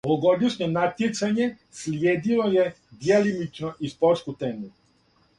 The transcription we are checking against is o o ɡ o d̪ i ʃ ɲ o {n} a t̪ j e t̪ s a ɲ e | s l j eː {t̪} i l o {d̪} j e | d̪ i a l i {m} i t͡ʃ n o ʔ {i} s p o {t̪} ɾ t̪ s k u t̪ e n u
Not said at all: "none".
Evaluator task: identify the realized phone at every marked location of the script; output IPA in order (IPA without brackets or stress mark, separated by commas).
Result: n, d̪, none, m, i, none